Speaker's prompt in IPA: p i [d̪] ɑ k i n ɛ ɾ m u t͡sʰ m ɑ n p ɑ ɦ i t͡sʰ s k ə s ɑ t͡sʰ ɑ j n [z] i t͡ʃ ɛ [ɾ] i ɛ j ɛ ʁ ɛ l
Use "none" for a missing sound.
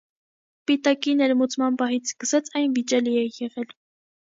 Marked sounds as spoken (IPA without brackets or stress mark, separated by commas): t̪, v, l